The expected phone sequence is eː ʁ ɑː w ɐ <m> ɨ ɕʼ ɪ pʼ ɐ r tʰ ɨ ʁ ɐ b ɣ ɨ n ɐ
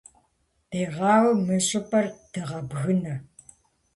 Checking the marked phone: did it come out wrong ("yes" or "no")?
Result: no